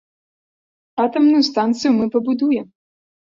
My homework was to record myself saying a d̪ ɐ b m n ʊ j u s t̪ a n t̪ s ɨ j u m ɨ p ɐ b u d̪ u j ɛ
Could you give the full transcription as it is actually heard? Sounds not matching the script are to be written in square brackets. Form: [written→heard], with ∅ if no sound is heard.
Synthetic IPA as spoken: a [d̪→t̪] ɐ [b→∅] m n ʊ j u s t̪ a n t̪ s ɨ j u m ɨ p ɐ b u d̪ u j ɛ